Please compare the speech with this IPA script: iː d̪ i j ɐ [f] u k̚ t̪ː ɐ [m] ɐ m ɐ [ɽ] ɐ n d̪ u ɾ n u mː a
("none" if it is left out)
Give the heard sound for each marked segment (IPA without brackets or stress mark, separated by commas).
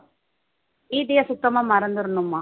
s, m, ɾ